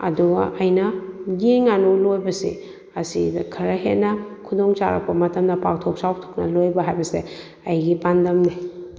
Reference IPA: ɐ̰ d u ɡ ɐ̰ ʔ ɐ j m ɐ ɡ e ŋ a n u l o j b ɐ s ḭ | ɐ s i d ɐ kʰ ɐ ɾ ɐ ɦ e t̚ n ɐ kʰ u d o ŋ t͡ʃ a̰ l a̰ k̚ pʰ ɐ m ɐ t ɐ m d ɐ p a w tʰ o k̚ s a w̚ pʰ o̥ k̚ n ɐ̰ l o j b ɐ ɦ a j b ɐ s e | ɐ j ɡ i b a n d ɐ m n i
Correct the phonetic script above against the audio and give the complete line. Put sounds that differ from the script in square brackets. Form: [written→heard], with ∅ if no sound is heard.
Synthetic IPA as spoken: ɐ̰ d u ɡ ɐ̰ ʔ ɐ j [m→n] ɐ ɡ e ŋ a n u l o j b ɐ s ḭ | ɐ s i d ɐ kʰ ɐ ɾ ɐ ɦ e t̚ n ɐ kʰ u d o ŋ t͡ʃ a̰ [l→ɾ] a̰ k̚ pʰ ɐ m ɐ t ɐ m d ɐ p a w tʰ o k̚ s a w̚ [pʰ→tʰ] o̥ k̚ n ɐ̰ l o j b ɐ ɦ a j b ɐ s e | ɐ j ɡ i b a n d ɐ m n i